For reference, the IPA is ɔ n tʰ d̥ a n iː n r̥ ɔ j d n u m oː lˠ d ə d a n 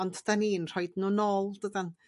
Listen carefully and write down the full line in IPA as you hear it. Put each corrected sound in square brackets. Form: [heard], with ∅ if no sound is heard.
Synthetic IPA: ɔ n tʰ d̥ a n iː n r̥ ɔ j d n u [n] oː lˠ d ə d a n